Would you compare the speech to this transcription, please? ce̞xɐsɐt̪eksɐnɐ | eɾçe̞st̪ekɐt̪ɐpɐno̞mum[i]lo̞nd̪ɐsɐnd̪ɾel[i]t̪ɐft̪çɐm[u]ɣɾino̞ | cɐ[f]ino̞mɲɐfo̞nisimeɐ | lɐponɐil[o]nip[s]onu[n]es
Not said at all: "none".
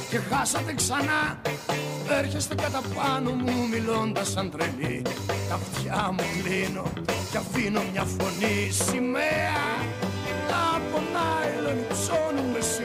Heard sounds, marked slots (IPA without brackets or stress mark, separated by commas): i, i, u, f, o, s, m